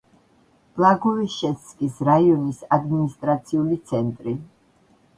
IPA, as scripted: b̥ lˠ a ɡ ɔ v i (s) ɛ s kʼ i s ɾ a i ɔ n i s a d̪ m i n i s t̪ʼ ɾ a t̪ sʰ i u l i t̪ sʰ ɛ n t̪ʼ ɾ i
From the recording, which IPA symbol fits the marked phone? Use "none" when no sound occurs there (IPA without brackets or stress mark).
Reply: ʃ